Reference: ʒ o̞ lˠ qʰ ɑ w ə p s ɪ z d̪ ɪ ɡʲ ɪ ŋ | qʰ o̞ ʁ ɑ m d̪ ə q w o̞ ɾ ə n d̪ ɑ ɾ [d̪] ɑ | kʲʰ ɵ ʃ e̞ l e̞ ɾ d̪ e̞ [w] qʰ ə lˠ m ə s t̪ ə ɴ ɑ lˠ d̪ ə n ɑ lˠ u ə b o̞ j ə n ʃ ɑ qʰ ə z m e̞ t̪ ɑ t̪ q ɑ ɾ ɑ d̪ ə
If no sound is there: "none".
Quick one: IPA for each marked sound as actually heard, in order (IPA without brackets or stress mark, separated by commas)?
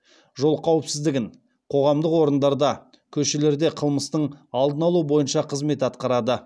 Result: d̪, none